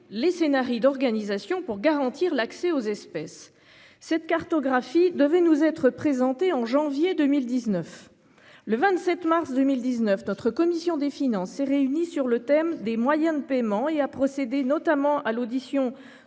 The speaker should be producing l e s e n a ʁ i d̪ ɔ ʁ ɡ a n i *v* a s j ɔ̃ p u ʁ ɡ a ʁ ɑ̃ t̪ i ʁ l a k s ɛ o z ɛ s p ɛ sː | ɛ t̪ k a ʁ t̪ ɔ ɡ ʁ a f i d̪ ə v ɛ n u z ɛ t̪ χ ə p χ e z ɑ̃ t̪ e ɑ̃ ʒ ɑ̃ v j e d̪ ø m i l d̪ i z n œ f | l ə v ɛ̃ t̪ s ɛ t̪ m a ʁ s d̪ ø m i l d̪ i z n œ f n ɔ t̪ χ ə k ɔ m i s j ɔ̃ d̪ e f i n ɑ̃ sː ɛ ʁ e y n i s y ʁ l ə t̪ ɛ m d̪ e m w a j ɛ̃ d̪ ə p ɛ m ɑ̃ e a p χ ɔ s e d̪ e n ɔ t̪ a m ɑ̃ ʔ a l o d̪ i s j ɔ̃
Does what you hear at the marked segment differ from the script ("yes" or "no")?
yes